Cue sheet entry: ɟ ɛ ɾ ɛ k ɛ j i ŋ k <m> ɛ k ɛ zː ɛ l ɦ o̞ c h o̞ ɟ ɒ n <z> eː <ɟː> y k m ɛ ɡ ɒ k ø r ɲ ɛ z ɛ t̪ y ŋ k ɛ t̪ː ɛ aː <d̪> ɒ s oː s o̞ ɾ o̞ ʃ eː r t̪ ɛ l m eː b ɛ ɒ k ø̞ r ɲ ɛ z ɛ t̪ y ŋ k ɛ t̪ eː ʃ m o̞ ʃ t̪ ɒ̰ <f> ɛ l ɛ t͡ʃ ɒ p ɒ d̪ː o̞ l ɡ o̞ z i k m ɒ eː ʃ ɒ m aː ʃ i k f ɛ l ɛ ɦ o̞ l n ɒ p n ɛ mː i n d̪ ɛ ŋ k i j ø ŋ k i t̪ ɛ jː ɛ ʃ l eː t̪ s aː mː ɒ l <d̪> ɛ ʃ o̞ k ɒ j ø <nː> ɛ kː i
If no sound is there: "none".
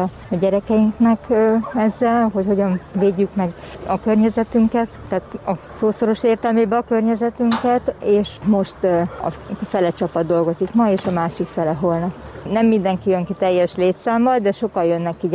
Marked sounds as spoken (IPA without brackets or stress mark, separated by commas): n, v, ɟː, t̪, f, d̪, nː